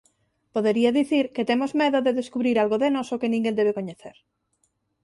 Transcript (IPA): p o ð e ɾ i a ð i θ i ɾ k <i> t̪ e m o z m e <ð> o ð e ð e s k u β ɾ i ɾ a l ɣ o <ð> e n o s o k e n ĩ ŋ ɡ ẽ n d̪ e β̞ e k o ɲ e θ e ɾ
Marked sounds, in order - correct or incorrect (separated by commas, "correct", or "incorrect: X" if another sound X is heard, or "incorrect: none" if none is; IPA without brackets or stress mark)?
incorrect: e, correct, correct